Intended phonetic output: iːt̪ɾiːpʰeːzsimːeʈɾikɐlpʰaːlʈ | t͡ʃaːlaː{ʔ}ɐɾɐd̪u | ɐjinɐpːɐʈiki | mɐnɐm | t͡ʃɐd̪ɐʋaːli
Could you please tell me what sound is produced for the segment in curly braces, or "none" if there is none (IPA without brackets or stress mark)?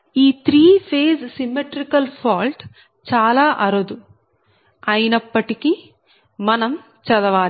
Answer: ʔ